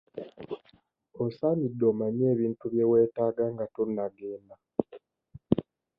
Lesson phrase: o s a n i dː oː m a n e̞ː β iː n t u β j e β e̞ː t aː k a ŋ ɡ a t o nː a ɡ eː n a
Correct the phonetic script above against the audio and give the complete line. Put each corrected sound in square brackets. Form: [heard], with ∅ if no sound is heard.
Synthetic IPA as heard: o s a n i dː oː m a [ɲ] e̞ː β iː n t u β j e [w] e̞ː t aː [ɡ] a ŋ ɡ a t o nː a ɡ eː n a